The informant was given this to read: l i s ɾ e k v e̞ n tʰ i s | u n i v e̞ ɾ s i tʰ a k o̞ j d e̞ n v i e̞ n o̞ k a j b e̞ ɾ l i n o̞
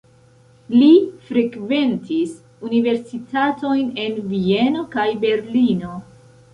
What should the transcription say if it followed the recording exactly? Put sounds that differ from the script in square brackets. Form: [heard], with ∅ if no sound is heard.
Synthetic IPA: l i [f] ɾ e k v e̞ n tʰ i s | u n i v e̞ ɾ s i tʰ a [t] o̞ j [n] e̞ n v i e̞ n o̞ k a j b e̞ ɾ l i n o̞